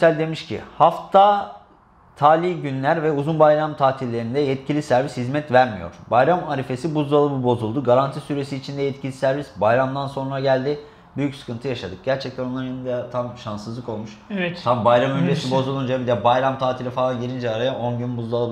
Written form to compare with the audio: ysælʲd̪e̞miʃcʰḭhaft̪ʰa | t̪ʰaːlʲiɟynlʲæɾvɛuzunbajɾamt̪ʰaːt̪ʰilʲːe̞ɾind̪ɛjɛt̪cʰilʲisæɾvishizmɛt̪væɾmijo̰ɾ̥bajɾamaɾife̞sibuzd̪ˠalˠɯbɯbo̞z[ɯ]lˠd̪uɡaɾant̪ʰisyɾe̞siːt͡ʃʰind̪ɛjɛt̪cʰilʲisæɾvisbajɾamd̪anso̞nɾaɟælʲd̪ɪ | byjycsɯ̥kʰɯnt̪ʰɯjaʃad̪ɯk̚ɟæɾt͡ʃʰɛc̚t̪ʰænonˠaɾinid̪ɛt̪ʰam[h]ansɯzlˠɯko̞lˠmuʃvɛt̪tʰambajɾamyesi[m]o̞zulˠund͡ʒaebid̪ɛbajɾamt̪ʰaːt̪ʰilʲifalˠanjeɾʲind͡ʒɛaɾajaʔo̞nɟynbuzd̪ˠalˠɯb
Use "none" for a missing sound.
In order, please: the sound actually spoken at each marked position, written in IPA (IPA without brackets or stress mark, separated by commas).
u, ʃ, b